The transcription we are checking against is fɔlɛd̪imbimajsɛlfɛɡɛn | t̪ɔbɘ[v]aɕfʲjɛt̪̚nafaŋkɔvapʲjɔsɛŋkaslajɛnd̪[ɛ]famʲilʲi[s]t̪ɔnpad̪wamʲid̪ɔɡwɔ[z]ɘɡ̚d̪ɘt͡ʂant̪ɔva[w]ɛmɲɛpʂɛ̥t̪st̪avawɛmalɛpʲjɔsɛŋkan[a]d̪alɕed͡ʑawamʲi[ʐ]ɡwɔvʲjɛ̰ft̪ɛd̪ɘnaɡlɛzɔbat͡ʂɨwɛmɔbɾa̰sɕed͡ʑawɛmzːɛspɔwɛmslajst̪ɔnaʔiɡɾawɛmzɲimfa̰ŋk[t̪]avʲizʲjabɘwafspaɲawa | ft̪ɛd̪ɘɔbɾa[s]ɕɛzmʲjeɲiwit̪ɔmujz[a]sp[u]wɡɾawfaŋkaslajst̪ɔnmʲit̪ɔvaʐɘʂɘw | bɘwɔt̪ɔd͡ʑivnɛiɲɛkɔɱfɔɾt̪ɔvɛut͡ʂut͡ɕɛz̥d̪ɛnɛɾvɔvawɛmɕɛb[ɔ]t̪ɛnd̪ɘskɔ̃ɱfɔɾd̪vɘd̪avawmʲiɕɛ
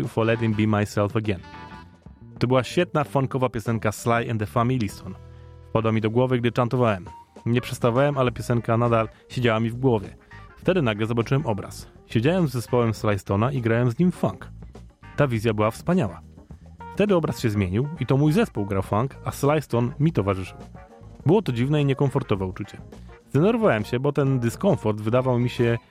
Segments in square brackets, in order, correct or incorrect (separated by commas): incorrect, correct, correct, incorrect, correct, correct, incorrect, correct, correct, incorrect, correct, correct